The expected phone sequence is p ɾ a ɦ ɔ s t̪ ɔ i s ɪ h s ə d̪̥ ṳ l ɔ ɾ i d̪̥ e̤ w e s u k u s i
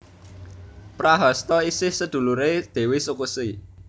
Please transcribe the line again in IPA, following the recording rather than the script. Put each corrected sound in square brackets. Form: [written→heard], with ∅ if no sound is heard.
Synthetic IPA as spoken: p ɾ a ɦ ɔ s t̪ ɔ i s ɪ h s ə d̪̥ ṳ l [ɔ→u] ɾ [i→e] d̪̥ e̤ w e s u k u s i